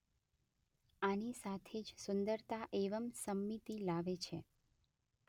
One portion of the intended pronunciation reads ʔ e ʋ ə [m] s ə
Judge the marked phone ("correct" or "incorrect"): correct